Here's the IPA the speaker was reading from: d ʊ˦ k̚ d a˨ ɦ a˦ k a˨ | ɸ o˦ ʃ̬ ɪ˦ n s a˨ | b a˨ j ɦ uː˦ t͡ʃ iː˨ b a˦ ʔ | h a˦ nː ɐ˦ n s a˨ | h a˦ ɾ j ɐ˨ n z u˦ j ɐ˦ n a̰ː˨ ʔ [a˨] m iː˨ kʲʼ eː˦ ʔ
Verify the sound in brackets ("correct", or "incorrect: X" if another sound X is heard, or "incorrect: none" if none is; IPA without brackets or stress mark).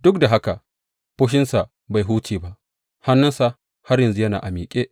correct